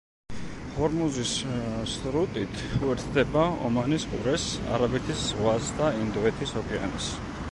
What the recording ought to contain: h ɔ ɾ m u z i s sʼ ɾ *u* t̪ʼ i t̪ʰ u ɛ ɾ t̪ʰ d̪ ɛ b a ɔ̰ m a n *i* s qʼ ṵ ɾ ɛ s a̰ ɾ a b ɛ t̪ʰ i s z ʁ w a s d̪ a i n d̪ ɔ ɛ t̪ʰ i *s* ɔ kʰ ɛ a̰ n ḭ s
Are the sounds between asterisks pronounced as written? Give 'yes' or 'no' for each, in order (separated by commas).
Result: yes, yes, yes